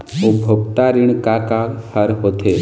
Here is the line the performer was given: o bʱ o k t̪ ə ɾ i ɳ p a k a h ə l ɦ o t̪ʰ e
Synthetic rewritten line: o bʱ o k t̪ a ɾ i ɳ k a k a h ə ɾ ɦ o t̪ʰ e